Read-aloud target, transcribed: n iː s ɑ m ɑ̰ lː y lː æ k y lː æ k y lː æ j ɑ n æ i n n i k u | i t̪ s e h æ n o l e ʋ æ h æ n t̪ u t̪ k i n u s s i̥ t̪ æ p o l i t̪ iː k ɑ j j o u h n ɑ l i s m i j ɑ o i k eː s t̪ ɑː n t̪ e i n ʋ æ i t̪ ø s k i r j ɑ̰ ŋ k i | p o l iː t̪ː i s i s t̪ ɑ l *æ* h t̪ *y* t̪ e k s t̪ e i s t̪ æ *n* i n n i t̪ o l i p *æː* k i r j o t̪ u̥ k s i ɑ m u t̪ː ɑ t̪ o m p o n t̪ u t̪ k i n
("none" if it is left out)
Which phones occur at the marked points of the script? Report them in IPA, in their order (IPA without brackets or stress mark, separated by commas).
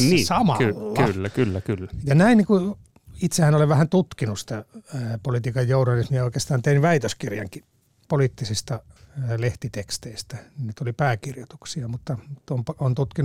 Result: e, i, n, æː